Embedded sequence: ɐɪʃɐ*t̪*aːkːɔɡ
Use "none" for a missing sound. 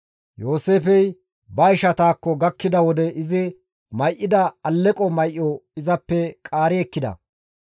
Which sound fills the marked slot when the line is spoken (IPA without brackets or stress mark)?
t̪